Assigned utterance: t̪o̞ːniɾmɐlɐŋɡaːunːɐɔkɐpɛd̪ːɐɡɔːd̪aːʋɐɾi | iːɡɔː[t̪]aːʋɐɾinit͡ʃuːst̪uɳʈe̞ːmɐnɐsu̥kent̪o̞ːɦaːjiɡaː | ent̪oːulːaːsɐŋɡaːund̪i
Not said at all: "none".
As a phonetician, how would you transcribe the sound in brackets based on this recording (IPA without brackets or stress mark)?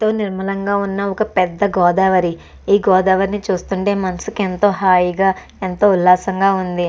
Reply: d̪